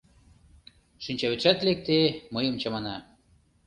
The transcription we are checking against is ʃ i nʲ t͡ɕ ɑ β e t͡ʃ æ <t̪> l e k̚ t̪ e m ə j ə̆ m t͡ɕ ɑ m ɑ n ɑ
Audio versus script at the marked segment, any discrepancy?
no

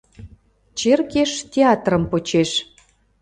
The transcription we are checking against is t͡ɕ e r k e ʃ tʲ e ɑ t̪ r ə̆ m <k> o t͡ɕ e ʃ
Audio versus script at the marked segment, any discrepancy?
yes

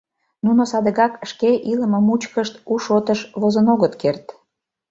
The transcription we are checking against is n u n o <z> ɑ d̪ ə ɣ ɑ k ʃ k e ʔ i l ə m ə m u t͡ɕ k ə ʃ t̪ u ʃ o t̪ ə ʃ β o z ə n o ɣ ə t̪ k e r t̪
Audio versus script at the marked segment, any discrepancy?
yes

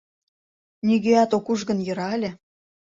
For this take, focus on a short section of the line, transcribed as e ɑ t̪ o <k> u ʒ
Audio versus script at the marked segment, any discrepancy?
no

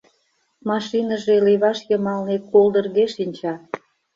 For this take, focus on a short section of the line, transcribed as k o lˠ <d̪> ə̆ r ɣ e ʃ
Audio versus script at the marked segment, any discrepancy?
no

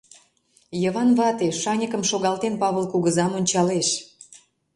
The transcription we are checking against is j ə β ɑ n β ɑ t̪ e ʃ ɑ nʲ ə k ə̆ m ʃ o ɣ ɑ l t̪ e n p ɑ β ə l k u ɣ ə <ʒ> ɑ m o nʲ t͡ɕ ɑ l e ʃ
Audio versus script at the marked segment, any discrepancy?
yes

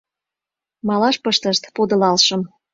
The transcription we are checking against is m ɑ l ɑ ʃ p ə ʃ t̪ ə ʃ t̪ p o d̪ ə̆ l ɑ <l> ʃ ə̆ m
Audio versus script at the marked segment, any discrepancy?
no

